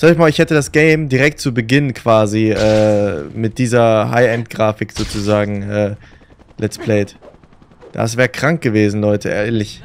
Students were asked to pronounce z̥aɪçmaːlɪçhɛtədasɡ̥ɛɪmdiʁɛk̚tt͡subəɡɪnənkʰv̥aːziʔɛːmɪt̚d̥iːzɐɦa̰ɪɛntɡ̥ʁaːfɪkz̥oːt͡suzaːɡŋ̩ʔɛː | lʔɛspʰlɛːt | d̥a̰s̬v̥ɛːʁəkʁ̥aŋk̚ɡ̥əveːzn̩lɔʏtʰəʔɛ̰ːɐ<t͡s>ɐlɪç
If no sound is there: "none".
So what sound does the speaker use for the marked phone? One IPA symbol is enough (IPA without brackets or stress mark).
none